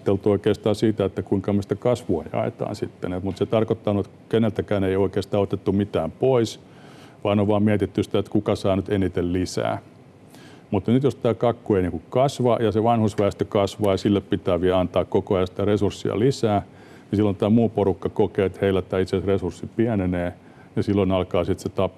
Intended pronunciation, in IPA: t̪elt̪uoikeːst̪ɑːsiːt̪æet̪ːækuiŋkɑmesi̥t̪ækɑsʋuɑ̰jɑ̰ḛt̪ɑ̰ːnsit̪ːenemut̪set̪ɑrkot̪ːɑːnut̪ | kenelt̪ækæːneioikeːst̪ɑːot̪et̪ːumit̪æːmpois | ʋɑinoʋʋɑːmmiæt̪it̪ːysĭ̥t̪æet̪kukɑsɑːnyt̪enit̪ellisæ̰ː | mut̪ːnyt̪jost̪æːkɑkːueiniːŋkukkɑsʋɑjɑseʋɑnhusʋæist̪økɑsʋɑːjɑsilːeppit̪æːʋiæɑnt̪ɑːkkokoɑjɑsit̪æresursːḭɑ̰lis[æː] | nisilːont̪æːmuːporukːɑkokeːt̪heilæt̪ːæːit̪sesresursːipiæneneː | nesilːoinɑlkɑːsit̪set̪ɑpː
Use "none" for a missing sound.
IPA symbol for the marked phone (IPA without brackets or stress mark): æː